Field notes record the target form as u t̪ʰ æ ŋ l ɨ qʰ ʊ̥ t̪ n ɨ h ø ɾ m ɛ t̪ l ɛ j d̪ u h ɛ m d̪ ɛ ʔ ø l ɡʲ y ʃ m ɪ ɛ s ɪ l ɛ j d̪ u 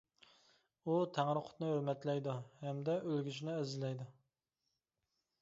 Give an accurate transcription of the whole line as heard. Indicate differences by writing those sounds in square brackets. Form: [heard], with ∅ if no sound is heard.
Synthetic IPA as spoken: u t̪ʰ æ ŋ [ɾ] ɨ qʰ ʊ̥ t̪ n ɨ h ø ɾ m ɛ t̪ l ɛ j d̪ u h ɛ m d̪ ɛ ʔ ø l ɡʲ y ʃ [n] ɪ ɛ [z] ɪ l ɛ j d̪ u